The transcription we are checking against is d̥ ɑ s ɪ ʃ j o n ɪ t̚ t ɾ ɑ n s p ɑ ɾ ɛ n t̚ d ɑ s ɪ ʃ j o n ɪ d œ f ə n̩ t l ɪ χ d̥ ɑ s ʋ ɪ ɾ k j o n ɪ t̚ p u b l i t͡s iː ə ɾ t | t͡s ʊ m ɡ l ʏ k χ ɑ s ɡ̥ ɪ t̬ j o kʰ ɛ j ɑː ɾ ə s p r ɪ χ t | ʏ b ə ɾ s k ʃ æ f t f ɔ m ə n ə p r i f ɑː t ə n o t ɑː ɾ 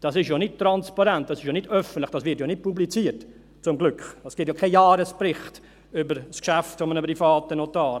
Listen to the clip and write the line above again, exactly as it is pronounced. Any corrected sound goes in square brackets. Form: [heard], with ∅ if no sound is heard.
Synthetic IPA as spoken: d̥ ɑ s ɪ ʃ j o n ɪ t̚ t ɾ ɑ n s p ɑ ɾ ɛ n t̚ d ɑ s ɪ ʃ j o n ɪ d œ f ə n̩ t l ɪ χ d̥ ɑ s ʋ ɪ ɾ [t] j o n ɪ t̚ p u b l i t͡s iː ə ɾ t | t͡s ʊ m ɡ l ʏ k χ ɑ s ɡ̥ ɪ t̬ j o kʰ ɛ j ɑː ɾ ə s p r ɪ χ t | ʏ b ə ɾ s k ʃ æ f t f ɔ m ə n ə p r i f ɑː t ə n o t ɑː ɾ